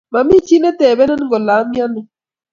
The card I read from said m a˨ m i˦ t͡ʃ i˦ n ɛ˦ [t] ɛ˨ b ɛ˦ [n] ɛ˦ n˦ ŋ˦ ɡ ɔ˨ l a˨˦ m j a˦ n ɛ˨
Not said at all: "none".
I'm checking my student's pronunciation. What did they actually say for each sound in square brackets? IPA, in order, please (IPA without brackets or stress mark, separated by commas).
t, n